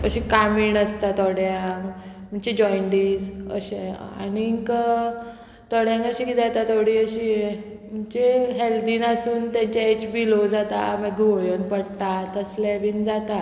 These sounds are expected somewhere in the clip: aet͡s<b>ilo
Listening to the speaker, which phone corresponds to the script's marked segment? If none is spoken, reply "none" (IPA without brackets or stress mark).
b